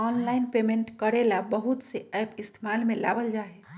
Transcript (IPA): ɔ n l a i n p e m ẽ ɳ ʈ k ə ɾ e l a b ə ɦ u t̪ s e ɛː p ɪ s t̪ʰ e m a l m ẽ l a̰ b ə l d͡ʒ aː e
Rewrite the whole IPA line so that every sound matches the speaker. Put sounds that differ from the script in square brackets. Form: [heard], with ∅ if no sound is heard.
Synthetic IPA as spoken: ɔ n l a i n p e m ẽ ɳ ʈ k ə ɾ e l a b ə ɦ u t̪ s e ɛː p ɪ s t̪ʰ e m a l m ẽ l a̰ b ə l d͡ʒ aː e